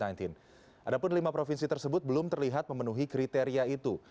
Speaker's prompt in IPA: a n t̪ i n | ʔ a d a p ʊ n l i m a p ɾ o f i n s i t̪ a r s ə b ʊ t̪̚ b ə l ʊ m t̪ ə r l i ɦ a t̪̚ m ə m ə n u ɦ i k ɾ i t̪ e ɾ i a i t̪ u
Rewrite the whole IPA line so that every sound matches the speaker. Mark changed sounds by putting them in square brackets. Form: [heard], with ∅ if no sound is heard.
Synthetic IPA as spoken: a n t̪ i n | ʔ a d a p ʊ n l i m a p ɾ o f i n s i t̪ [ə] r s ə b ʊ t̪̚ b ə l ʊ m t̪ ə r l i ɦ a t̪̚ m ə m ə n u ɦ i k ɾ i t̪ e ɾ i a i t̪ u

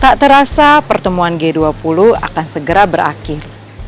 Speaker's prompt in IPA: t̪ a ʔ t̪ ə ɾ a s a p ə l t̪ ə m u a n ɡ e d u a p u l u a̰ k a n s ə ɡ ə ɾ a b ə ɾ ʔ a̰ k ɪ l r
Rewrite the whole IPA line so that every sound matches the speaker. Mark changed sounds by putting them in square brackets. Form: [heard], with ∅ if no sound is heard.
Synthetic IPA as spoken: t̪ a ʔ t̪ ə ɾ a s a p ə [r] t̪ ə m u a n ɡ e d u a p u l u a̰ k a n s ə ɡ ə ɾ a b ə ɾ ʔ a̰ k ɪ [∅] r

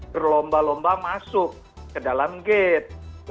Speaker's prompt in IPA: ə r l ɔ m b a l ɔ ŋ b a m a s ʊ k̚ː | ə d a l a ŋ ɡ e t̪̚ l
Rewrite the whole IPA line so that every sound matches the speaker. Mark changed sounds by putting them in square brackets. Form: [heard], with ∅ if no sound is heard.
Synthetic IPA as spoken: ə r l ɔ m b a l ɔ [m] b a m a s ʊ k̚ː | ə d a l a [m] ɡ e t̪̚ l

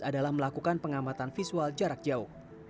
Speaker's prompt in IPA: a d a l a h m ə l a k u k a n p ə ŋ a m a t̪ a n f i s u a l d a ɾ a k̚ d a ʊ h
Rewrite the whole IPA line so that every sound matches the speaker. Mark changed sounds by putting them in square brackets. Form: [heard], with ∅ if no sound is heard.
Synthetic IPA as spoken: a d a l a h m ə l a k u k a n p ə ŋ a m a t̪ a n f i s u a l [d͡ʒ] a ɾ a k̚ [d͡ʒ] a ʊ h

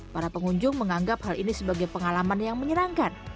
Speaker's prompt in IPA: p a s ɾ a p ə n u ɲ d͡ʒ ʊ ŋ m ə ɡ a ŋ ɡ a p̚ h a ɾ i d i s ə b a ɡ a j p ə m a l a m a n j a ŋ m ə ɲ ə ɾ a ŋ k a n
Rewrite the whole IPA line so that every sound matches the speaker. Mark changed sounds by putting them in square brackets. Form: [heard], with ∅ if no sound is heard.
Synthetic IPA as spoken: p a [∅] ɾ a p ə [ŋ] u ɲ d͡ʒ ʊ ŋ m ə [ŋ] a ŋ ɡ a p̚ h a [l] i [n] i s ə b a ɡ a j p ə [ŋ] a l a m a n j a ŋ m ə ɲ ə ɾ a ŋ k a n

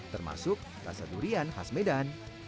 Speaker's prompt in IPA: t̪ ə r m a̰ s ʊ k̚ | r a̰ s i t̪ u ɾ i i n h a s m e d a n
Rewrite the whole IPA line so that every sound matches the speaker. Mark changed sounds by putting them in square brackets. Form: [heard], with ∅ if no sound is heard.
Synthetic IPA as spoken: t̪ ə r m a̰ s ʊ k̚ | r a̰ s [a] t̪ u ɾ i [a] n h a s m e d a n

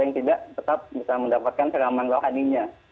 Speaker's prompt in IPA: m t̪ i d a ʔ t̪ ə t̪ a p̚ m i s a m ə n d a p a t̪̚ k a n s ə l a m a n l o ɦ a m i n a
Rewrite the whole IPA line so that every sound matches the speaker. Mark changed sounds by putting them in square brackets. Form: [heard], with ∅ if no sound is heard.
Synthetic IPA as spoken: [ŋ] t̪ i d a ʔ t̪ ə t̪ a p̚ [b] i s a m ə n d a p a t̪̚ k a n s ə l a m a n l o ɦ a [n] i [ɲ] a

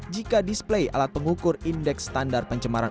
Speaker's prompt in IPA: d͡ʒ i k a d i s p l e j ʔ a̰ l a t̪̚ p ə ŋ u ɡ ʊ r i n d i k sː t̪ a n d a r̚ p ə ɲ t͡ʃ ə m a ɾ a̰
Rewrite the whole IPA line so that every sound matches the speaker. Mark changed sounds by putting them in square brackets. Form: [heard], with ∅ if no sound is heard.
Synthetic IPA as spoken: d͡ʒ i k a d i s p l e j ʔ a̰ l a t̪̚ p ə ŋ u [k] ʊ r i n d [ɛ] k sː t̪ a n d a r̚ p ə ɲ t͡ʃ ə m a ɾ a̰

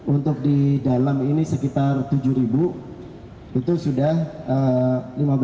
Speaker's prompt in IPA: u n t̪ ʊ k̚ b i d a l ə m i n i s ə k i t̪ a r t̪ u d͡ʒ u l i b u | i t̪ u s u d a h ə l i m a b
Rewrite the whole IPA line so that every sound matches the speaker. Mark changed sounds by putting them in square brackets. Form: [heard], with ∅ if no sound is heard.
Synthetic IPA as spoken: u n t̪ ʊ k̚ [d] i d a l [a] m i n i s ə k i t̪ a r t̪ u d͡ʒ u [ɾ] i b u | i t̪ u s u d a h ə l i m a b

